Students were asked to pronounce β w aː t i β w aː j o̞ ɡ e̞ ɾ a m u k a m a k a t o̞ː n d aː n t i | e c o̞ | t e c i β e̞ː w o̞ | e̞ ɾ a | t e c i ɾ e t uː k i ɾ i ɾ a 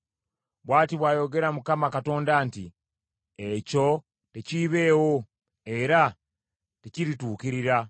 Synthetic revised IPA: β w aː t i β w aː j o̞ ɡ e̞ ɾ a m u k a m a k a t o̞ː n d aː n t i | e c o̞ | t e c i β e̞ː w o̞ | e̞ ɾ a | t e c i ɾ i t uː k i ɾ i ɾ a